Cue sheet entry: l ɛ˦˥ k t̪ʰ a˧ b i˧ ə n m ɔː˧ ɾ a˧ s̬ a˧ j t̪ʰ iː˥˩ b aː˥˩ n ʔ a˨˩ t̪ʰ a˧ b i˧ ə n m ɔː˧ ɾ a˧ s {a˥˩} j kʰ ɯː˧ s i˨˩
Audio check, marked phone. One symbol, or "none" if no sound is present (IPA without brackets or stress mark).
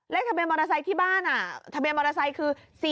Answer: a˧